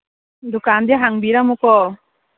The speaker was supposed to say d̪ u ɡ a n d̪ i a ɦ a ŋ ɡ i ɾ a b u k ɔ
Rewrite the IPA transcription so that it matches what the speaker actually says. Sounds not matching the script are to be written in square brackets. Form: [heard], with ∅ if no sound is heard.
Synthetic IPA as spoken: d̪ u [k] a n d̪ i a ɦ a ŋ [b] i ɾ a [m] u k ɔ

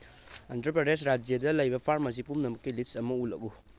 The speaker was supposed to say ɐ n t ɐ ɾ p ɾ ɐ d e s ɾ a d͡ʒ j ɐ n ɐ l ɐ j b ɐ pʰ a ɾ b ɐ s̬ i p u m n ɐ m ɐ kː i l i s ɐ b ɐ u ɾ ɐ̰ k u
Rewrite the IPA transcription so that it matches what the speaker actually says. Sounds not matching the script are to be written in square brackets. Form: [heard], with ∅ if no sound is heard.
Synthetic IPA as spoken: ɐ n t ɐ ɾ p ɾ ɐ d e s ɾ a d͡ʒ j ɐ [d] ɐ l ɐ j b ɐ pʰ a ɾ [m] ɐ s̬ i p u m n ɐ m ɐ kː i l i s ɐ [m] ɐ u [l] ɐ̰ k u

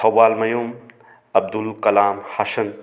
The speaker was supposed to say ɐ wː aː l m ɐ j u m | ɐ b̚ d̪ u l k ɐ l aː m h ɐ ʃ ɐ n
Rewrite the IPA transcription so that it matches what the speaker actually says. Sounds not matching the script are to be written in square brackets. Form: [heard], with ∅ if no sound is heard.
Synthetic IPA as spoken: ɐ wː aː l m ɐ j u m | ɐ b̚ d̪ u l k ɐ l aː m h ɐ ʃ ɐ n

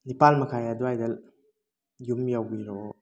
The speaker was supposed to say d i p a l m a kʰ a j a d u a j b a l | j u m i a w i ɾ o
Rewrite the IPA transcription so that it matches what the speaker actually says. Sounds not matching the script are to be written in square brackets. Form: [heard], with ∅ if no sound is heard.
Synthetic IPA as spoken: [n] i p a l m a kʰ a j a d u a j [d] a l | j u m [j] a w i ɾ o

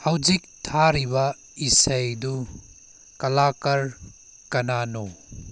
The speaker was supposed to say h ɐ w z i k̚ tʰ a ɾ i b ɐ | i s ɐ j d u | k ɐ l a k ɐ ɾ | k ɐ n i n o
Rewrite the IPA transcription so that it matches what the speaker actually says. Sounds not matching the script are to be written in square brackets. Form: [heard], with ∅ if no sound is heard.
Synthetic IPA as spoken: h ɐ w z i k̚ tʰ a ɾ i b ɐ | i s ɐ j d u | k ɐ l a k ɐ ɾ | k ɐ n [a] n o

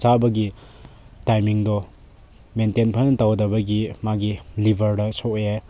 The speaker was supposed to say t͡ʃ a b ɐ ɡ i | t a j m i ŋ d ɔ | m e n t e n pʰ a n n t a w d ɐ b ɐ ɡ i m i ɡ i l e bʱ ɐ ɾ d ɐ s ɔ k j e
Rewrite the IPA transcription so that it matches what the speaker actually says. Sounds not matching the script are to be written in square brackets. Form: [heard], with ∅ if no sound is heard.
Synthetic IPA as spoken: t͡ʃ a b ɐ ɡ i | t a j m i ŋ d ɔ | m e n t e n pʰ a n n t a w d ɐ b ɐ ɡ i m [a] ɡ i l [i] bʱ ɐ ɾ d ɐ s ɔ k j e

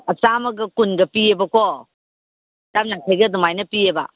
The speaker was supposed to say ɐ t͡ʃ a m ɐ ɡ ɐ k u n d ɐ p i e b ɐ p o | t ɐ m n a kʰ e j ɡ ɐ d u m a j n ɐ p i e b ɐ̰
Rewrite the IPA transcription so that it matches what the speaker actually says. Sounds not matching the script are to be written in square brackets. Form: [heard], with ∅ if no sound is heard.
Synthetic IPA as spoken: ɐ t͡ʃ a m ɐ ɡ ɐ k u n [ɡ] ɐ p i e b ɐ [k] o | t [a] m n a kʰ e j ɡ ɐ d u m a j n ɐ p i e b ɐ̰

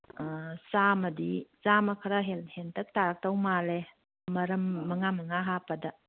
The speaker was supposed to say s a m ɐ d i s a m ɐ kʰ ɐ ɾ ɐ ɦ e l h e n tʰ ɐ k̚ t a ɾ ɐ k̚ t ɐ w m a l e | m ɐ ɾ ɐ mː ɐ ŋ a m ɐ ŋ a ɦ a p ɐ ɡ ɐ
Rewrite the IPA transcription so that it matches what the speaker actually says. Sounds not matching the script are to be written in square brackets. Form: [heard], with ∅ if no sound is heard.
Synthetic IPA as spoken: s a m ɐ d i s a m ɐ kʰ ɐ ɾ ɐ ɦ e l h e n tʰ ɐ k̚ t a ɾ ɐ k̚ t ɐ w m a l e | m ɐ ɾ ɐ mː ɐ ŋ a m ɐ ŋ a ɦ a p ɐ [d] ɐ

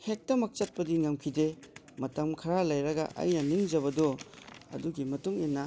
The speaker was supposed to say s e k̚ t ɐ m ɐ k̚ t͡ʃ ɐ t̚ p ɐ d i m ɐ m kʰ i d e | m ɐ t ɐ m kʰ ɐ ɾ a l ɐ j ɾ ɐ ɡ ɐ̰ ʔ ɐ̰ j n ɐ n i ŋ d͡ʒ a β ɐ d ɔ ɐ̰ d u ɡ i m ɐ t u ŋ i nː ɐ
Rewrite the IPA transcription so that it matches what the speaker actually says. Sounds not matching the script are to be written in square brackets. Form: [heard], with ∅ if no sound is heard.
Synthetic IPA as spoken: [h] e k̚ t ɐ m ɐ k̚ t͡ʃ ɐ t̚ p ɐ d i [ŋ] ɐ m kʰ i d e | m ɐ t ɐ m kʰ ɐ ɾ a l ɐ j ɾ ɐ ɡ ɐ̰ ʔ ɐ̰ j n ɐ n i ŋ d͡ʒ [ɐ] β ɐ d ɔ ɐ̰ d u ɡ i m ɐ t u ŋ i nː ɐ

